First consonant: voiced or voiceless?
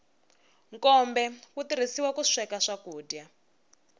voiced